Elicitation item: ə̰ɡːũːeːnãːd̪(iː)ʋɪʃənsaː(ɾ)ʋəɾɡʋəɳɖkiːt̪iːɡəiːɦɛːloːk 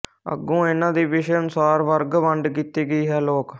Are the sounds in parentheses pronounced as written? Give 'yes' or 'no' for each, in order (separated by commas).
yes, yes